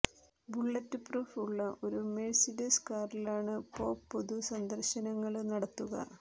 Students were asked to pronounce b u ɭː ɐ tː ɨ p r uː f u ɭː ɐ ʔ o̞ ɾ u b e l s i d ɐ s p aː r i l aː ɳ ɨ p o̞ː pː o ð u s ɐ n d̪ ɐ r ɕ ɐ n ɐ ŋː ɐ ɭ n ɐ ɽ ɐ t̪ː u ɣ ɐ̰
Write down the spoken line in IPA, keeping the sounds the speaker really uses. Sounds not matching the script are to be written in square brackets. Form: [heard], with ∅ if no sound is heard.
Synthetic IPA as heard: b u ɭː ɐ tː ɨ p r uː f u ɭː ɐ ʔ o̞ ɾ u [m] e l s i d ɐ s [k] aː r i l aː ɳ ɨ p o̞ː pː o ð u s ɐ n d̪ ɐ r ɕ ɐ n ɐ ŋː ɐ ɭ n ɐ ɽ ɐ t̪ː u ɣ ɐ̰